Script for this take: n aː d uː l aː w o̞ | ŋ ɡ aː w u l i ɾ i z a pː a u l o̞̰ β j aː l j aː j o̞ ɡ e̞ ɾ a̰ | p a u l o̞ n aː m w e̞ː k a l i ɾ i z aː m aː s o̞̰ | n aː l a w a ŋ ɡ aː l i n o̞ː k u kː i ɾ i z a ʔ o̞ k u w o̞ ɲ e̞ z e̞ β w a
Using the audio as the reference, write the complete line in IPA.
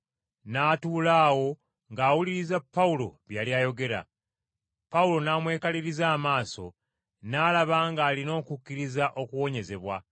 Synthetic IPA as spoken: n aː t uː l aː w o̞ | ŋ ɡ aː w u l i ɾ i z a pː a u l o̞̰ β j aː l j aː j o̞ ɡ e̞ ɾ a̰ | p a u l o̞ n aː m w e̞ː k a l i ɾ i z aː m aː s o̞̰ | n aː l a β a ŋ ɡ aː l i n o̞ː k u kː i ɾ i z a ʔ o̞ k u w o̞ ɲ e̞ z e̞ β w a